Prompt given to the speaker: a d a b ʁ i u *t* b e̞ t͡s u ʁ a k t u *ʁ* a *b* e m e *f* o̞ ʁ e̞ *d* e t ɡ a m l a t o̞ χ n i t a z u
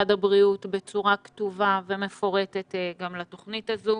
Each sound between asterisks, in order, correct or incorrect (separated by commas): correct, incorrect, incorrect, correct, incorrect